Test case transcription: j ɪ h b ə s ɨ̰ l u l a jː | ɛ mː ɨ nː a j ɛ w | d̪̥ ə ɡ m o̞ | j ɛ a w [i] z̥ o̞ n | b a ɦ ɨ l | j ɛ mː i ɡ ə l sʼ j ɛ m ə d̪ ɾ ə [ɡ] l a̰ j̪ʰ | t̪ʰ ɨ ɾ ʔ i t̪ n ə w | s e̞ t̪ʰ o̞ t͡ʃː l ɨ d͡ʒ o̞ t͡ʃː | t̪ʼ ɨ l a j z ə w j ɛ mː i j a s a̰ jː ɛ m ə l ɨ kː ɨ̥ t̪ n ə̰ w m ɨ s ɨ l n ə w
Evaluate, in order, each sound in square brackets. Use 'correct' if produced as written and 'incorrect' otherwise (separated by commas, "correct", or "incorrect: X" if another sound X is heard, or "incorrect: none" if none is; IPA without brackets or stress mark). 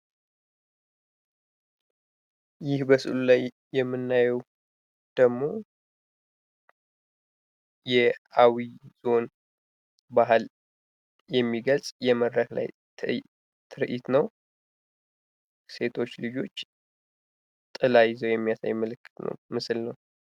correct, incorrect: k